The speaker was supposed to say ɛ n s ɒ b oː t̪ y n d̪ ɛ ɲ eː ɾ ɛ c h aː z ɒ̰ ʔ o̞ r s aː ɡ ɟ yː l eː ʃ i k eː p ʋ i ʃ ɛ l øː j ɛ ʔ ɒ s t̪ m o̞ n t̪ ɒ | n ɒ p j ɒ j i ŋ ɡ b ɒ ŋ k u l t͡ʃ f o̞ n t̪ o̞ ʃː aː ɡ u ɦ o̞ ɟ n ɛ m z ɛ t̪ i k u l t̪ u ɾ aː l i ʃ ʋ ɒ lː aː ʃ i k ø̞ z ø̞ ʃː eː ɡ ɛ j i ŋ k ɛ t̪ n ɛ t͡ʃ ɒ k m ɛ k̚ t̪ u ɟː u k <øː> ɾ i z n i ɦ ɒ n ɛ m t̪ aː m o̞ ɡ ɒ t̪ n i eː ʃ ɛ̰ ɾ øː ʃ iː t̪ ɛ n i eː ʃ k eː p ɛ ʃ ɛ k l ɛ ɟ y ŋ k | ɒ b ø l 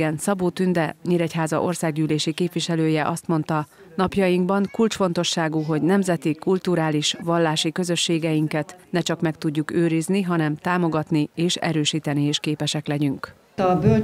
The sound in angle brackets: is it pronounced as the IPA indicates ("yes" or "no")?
yes